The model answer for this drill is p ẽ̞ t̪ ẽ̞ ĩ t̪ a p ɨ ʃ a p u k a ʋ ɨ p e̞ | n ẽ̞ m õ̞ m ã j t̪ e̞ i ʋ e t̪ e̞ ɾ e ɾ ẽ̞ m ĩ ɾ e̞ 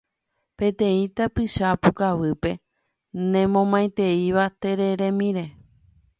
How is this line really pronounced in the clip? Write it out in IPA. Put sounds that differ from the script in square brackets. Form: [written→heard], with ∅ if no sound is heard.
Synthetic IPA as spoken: p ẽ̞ t̪ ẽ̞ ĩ t̪ a p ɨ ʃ a p u k a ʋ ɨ p e̞ | n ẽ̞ m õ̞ m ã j t̪ e̞ i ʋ [e→a] t̪ e̞ ɾ e ɾ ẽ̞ m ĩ ɾ e̞